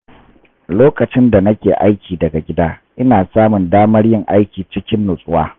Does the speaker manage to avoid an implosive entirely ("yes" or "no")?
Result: yes